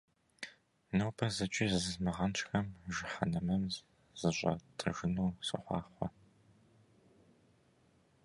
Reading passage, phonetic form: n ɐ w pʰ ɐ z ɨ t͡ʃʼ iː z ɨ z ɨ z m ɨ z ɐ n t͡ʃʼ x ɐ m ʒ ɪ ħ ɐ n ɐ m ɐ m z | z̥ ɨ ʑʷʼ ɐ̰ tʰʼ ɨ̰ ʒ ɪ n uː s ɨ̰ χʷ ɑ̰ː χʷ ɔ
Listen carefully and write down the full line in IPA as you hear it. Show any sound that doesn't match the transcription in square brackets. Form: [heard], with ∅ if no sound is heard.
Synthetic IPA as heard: n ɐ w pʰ ɐ z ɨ t͡ʃʼ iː z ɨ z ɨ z m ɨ [ʁ] ɐ n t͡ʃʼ x ɐ m ʒ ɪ ħ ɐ n ɐ m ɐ m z | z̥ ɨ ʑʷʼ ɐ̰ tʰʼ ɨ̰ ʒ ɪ n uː s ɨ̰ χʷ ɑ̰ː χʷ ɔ